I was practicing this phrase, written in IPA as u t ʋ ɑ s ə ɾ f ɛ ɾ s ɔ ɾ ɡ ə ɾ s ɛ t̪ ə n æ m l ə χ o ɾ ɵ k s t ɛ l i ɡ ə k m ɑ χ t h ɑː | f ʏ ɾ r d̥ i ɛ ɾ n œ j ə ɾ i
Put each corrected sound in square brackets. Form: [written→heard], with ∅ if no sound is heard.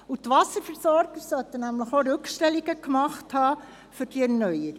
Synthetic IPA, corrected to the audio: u t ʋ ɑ s ə ɾ f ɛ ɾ s ɔ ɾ ɡ ə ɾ s [ɛ→œ] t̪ ə n æ m l ə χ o ɾ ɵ k [s→ʃ] t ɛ l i ɡ ə k m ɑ χ t h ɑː | f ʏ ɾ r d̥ i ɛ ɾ n œ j ə ɾ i